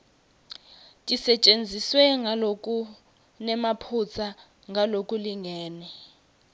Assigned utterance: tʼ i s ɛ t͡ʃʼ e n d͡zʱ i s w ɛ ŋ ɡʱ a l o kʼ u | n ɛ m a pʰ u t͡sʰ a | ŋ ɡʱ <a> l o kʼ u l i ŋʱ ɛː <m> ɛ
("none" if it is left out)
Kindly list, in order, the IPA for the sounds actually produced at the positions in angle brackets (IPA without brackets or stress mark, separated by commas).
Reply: a, n